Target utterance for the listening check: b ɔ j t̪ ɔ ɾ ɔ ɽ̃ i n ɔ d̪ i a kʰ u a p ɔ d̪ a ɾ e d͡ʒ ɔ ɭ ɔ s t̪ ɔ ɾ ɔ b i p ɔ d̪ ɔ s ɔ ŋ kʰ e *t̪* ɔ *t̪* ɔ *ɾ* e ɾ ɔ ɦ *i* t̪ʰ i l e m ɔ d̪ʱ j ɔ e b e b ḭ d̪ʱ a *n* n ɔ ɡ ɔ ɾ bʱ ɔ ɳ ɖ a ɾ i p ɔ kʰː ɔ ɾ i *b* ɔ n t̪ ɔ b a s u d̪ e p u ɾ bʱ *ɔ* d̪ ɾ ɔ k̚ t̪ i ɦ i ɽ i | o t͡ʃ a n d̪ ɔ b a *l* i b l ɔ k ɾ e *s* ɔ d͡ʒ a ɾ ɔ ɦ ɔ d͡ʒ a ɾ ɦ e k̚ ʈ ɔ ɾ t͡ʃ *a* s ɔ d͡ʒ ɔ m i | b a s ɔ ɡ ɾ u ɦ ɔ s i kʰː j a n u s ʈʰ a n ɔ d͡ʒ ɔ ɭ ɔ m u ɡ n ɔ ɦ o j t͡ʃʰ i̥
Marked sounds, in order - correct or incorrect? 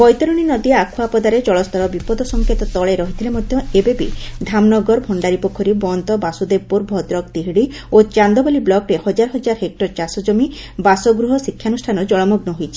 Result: correct, correct, incorrect: ɭ, correct, incorrect: m, correct, correct, correct, incorrect: h, correct

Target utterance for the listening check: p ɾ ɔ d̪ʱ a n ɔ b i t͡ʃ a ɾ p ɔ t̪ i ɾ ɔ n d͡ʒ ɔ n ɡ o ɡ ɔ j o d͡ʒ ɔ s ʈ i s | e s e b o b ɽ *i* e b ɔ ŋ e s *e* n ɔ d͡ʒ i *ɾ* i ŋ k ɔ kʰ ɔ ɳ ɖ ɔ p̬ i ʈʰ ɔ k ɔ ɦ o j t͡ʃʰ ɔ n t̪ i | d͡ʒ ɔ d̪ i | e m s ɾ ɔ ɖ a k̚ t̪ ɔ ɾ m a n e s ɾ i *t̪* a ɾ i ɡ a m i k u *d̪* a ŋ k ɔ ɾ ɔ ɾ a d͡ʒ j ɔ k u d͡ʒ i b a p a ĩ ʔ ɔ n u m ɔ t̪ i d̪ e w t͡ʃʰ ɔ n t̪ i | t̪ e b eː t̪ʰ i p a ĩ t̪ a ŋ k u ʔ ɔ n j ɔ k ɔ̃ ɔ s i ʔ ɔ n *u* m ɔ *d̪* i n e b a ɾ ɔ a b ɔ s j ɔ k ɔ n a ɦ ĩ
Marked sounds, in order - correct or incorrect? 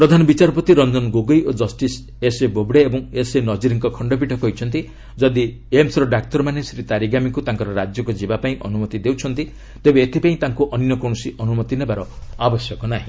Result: incorrect: e, correct, correct, correct, incorrect: t̪, correct, incorrect: t̪

